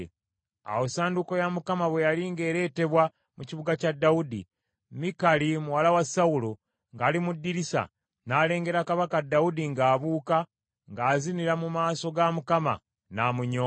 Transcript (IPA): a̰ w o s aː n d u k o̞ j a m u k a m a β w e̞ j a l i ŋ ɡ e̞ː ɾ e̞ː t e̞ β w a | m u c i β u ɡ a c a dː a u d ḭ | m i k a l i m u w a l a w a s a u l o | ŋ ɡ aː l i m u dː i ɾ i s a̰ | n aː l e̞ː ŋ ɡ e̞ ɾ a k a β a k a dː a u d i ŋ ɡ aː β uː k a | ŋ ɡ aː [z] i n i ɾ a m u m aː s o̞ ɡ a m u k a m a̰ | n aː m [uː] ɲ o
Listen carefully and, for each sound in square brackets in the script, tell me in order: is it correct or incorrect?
correct, incorrect

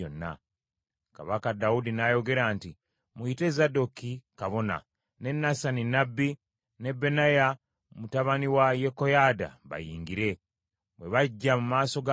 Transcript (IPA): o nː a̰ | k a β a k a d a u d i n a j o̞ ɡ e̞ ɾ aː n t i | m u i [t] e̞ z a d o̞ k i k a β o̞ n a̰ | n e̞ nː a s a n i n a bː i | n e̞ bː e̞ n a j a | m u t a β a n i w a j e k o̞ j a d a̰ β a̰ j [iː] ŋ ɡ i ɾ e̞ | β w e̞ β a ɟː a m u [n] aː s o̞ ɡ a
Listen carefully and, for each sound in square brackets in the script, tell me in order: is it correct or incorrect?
correct, correct, incorrect

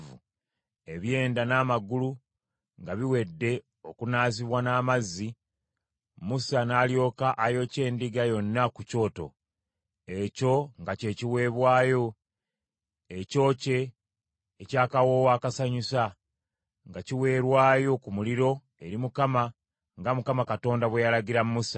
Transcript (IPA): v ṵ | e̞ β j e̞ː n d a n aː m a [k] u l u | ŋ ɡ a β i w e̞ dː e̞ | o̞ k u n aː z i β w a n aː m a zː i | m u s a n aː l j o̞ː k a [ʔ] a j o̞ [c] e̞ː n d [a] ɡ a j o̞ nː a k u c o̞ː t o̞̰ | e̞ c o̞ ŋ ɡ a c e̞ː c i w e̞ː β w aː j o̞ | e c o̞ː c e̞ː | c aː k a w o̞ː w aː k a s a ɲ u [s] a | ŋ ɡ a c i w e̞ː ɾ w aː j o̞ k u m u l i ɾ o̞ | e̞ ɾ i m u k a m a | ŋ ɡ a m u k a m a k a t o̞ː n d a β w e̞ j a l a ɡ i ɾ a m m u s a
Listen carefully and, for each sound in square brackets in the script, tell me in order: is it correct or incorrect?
incorrect, correct, correct, incorrect, correct

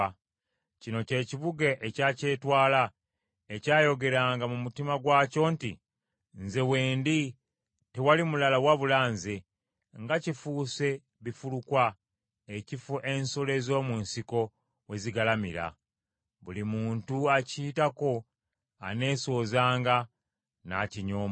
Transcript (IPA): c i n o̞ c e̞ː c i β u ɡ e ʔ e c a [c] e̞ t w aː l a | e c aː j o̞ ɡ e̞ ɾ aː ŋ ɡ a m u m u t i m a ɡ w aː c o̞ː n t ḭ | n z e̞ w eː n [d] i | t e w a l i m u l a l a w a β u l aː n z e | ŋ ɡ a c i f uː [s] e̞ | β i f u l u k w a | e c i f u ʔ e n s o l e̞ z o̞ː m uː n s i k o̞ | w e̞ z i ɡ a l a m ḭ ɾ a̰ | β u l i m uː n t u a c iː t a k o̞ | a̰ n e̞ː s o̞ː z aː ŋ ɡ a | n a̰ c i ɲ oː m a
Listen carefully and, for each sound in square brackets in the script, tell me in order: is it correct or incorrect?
correct, correct, correct

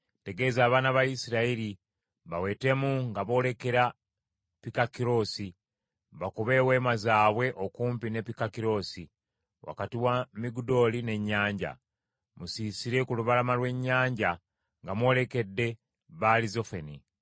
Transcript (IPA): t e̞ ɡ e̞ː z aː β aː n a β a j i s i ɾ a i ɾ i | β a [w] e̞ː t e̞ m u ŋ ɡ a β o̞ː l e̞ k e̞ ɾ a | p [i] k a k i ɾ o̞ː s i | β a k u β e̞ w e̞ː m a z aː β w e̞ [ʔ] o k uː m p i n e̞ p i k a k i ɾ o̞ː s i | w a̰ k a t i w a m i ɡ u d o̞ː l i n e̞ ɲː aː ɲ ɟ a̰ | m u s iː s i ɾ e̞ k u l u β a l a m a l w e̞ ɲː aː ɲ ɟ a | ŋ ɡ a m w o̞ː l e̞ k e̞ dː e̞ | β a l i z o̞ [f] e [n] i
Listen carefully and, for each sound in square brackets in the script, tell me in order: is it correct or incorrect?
correct, correct, correct, correct, correct

